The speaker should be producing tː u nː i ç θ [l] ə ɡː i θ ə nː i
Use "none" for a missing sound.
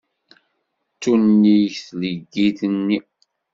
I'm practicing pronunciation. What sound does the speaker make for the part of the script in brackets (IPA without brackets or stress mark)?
l